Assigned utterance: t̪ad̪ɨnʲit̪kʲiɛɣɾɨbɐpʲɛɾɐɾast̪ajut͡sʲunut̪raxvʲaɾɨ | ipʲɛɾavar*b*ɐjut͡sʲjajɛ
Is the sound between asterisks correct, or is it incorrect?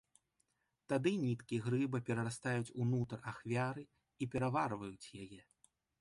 incorrect: v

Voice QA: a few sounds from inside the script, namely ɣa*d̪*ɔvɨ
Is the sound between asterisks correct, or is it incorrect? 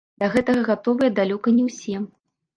incorrect: t̪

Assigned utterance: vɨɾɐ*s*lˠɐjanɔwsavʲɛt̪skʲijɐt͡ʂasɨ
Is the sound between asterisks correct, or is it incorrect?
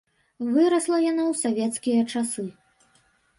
correct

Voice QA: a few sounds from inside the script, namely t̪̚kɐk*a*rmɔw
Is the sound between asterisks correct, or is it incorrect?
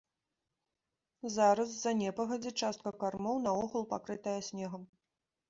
correct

